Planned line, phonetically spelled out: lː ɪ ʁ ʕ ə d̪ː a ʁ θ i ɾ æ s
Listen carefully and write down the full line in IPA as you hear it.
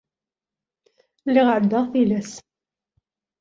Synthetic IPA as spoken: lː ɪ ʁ ʕ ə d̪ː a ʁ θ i l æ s

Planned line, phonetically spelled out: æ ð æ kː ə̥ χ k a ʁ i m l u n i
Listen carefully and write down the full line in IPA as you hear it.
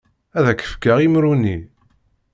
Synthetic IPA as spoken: æ ð æ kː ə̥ f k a ʁ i m ɾ u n i

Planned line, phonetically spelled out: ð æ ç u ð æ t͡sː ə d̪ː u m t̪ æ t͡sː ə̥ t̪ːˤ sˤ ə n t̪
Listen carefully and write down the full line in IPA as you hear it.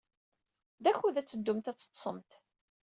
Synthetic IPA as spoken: ð æ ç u ð æ t͡sː ə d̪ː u m t̪ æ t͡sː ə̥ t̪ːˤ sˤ ə m t̪

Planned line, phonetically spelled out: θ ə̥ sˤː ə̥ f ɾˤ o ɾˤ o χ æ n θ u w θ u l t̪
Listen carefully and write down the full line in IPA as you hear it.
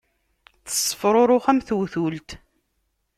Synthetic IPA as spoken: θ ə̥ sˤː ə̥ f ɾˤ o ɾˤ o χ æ m θ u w θ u l t̪

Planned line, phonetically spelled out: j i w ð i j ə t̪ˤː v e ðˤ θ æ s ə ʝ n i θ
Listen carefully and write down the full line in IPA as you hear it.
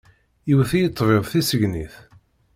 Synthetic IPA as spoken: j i w θ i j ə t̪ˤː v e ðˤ θ i s ə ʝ n i θ

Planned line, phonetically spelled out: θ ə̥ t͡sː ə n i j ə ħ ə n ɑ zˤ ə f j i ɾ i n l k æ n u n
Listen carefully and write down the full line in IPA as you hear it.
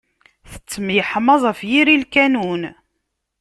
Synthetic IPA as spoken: θ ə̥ t͡sː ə m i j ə ħ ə m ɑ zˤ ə f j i ɾ i l k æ n u n

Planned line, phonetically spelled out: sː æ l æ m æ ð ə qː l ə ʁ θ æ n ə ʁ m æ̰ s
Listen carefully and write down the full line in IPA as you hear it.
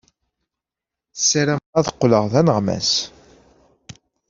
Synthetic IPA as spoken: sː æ ɾ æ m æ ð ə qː l ə ʁ ð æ n ə ʁ m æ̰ s

